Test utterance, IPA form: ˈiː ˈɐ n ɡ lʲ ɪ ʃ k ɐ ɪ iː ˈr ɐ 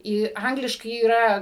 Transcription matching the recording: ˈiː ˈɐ ŋ ɡ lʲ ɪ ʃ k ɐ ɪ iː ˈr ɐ